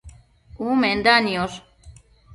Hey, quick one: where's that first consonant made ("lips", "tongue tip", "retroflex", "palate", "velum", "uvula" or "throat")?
lips